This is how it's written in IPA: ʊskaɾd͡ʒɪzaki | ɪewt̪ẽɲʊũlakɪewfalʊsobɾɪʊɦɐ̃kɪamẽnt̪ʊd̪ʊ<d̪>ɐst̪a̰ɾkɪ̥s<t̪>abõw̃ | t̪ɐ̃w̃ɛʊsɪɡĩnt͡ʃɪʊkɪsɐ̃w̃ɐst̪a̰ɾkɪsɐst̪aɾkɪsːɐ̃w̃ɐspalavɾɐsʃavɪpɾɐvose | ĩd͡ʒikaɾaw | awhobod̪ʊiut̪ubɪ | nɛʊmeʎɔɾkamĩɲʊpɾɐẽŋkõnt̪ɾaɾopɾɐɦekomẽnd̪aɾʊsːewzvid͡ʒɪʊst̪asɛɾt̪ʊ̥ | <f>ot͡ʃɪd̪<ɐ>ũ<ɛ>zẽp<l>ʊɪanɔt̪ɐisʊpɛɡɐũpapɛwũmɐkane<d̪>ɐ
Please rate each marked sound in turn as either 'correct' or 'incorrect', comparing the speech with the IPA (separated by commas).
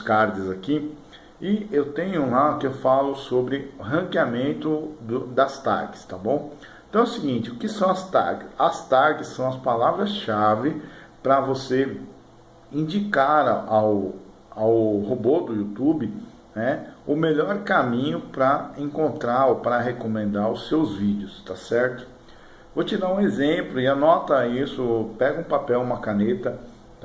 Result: correct, correct, incorrect, incorrect, incorrect, correct, incorrect